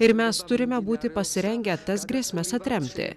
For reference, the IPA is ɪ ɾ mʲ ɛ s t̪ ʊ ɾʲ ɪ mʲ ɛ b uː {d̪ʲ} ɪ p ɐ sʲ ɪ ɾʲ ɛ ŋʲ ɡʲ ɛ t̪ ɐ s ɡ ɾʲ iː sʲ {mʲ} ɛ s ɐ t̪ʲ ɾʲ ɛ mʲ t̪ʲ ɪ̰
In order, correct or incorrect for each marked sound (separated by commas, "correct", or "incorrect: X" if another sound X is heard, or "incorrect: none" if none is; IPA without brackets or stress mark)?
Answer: incorrect: t̪ʲ, correct